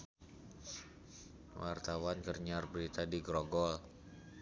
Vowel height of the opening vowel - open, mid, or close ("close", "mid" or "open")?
open